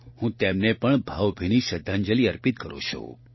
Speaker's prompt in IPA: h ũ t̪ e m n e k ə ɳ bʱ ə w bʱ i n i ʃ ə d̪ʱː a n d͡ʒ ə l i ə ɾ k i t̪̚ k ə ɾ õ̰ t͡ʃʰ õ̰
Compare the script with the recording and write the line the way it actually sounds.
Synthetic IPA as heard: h ũ t̪ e m n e p ə ɳ bʱ a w bʱ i n i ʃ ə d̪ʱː a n d͡ʒ ə l i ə ɾ p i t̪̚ k ə ɾ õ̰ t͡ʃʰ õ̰